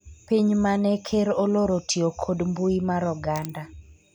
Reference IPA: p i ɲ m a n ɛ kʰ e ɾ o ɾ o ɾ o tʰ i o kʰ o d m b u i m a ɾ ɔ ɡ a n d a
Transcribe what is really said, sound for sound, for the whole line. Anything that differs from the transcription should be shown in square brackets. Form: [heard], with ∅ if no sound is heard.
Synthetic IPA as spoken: p i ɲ m a n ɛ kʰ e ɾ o [l] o ɾ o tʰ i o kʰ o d m b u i m a ɾ ɔ ɡ a n d a

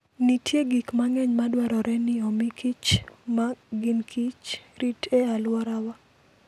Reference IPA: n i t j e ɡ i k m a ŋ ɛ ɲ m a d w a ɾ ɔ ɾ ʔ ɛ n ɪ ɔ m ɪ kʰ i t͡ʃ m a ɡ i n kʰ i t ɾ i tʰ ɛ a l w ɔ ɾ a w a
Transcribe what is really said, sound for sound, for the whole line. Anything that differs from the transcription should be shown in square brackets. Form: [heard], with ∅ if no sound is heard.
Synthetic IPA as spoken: n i t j e ɡ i k m a ŋ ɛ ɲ m a d w a ɾ ɔ ɾ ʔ ɛ n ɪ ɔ m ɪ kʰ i t͡ʃ m a ɡ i n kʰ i [t͡ʃ] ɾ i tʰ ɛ a l w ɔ ɾ a w a

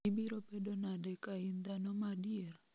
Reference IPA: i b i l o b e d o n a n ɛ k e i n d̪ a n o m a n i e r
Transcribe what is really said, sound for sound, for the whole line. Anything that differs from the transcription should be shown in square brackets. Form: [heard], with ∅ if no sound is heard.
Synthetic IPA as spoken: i b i [ɾ] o [p] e d o n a [d] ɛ k [a] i n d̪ a n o m a [d] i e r

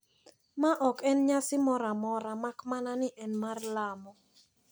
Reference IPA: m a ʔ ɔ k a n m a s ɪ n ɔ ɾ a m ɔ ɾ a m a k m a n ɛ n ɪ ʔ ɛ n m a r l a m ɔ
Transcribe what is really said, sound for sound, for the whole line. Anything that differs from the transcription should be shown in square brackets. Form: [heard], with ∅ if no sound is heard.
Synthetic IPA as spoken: m a ʔ ɔ k [ɛ] n [ɲ] a s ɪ [m] ɔ ɾ a m ɔ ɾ a m a k m a n [a] n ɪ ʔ ɛ n m a r l a m ɔ

